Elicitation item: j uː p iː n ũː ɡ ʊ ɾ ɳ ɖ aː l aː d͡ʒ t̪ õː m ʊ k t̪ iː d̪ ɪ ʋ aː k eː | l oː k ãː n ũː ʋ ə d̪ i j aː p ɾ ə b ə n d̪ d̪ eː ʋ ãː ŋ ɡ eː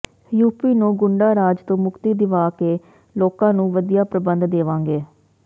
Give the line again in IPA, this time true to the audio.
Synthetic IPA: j uː p iː n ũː ɡ ʊ ɳ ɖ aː ɾ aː d͡ʒ t̪ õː m ʊ k t̪ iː d̪ ɪ ʋ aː k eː | l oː k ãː n ũː ʋ ə d̪ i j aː p ɾ ə b ə n d̪ d̪ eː ʋ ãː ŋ ɡ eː